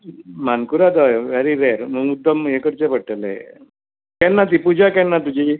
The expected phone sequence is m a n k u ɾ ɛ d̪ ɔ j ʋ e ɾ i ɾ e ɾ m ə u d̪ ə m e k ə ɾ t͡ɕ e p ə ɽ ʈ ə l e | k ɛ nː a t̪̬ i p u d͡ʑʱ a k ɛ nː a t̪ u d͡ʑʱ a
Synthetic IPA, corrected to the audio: m a n k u ɾ a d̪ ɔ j ʋ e ɾ i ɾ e ɾ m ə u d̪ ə m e k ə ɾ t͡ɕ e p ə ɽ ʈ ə l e | k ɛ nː a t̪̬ i p u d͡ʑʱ a k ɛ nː a t̪ u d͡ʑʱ i